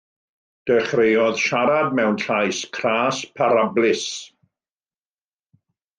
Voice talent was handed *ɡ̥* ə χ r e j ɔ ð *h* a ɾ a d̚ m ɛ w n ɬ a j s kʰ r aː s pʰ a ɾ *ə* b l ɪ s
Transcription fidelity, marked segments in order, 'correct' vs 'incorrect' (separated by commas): incorrect, incorrect, incorrect